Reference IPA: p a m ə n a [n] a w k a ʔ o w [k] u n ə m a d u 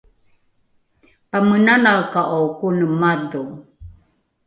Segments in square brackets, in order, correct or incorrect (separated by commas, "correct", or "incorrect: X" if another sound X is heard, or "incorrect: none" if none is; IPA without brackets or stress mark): correct, correct